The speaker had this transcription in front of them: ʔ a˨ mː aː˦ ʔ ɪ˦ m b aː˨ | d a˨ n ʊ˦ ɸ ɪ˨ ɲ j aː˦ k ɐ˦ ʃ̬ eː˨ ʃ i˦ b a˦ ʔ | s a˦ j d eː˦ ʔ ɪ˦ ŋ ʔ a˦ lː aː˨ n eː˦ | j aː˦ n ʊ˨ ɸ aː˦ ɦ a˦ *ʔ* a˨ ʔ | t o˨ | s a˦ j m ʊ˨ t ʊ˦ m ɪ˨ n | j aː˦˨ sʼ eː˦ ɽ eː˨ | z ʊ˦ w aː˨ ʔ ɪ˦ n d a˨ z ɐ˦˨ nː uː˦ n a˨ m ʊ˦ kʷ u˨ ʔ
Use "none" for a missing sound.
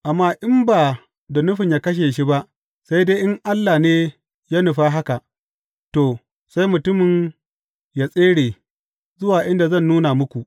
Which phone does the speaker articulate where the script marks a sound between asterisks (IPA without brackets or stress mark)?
k